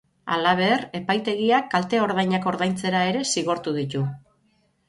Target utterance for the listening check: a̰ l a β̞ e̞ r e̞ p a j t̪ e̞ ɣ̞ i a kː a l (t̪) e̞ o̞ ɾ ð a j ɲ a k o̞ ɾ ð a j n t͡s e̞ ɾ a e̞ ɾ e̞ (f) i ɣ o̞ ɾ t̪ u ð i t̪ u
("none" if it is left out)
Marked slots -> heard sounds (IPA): t̪, s

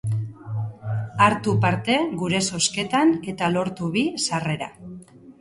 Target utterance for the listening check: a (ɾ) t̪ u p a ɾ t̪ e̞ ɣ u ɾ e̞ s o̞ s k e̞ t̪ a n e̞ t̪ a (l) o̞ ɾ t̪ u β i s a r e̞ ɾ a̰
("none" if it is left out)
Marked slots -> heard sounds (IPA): ɾ, l

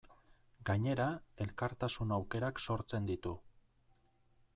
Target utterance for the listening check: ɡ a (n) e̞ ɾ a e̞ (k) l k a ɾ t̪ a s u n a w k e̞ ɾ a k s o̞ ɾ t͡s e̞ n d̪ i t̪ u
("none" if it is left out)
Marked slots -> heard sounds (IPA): ɲ, none

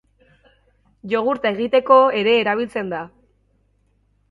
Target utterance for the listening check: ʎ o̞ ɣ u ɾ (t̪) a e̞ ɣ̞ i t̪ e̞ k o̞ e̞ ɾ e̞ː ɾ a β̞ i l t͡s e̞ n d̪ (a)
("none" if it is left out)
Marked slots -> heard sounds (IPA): t̪, a

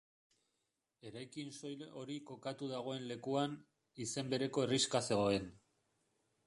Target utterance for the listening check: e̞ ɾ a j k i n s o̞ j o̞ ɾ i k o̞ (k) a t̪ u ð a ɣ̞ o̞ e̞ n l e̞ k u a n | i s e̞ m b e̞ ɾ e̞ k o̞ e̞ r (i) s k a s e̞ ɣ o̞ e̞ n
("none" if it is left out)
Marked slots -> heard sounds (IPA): k, i

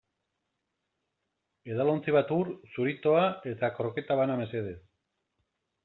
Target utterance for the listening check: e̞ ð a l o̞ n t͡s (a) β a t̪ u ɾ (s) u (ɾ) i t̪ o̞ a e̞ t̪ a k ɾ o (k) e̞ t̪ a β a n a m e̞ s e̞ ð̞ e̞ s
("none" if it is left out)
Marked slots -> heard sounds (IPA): i, s, ɾ, k

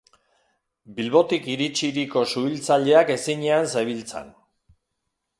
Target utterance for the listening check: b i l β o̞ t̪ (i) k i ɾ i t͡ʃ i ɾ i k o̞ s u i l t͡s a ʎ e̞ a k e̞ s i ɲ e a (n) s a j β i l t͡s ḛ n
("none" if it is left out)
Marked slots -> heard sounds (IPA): i, n

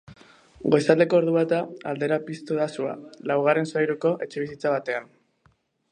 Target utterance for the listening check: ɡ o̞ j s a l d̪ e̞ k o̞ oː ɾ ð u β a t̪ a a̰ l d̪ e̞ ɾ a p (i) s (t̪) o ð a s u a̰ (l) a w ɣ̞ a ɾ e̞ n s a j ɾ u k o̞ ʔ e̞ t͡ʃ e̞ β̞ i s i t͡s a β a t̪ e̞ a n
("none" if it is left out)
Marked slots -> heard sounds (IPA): i, t̪, l

